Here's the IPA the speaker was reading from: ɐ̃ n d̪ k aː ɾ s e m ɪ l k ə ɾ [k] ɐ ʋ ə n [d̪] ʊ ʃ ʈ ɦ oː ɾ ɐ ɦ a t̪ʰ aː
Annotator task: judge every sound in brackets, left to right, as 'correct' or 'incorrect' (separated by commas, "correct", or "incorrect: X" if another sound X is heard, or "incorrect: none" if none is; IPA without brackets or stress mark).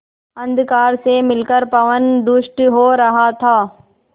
incorrect: p, correct